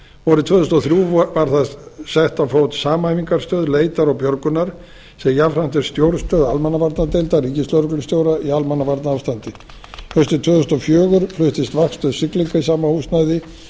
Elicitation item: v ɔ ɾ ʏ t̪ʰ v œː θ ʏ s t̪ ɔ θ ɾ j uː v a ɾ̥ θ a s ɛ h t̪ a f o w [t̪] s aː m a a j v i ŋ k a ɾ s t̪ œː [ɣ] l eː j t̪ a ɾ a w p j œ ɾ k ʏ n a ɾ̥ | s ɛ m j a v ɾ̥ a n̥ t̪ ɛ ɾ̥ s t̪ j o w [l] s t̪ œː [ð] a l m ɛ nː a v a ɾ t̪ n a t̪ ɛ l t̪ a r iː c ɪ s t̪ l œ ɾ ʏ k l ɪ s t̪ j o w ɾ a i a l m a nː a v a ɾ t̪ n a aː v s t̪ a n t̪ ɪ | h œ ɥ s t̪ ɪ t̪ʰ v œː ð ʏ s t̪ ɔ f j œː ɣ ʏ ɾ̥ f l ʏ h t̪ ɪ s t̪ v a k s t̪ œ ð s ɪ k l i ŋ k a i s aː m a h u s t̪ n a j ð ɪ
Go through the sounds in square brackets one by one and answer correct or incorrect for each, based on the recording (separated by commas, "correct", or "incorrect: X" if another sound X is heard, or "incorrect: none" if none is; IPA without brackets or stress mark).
correct, incorrect: ð, incorrect: ɾ, correct